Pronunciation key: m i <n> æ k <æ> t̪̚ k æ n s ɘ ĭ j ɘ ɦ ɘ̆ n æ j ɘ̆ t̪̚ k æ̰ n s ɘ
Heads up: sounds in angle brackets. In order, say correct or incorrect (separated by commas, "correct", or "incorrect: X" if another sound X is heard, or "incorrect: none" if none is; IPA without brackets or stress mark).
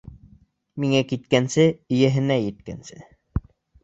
incorrect: ŋ, incorrect: i